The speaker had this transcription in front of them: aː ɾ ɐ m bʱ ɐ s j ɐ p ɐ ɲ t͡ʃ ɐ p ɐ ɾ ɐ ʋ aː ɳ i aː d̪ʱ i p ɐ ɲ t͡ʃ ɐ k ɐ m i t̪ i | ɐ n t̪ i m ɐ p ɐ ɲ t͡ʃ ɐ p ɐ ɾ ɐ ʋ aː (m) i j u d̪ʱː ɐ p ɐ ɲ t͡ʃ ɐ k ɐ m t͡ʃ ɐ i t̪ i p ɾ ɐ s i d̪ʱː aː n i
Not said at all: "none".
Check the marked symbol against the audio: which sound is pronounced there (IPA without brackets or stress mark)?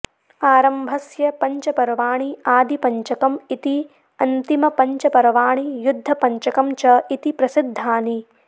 ɳ